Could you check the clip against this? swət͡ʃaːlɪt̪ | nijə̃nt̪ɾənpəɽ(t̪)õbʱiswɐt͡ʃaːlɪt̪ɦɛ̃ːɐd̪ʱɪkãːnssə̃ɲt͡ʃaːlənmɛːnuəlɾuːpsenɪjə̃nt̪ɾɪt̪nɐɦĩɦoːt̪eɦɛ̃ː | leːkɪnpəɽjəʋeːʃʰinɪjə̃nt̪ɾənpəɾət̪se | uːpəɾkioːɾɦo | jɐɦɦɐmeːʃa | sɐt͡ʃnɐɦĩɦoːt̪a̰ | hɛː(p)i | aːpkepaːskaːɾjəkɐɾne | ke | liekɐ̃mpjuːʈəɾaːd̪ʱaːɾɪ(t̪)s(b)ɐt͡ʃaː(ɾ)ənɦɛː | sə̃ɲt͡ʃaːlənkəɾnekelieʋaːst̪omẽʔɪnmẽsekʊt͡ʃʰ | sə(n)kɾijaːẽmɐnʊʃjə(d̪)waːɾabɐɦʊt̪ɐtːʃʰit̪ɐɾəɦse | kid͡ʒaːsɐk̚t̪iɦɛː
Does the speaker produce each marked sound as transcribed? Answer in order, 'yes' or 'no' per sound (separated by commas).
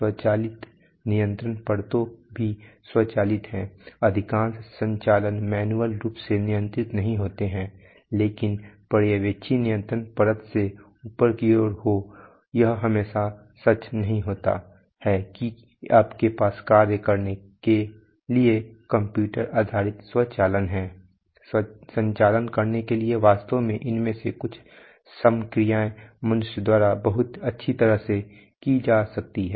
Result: yes, no, yes, no, no, no, yes